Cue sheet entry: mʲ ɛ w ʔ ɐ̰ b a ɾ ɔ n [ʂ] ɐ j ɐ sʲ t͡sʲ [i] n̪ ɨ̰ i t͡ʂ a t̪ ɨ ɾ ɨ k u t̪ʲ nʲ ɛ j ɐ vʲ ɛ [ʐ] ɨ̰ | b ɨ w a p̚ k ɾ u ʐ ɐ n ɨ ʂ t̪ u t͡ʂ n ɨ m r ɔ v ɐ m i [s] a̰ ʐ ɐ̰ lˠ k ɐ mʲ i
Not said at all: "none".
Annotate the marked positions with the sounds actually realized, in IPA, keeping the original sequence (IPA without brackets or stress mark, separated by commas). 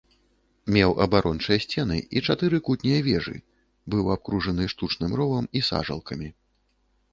t͡ʂ, ɛ, ʐ, s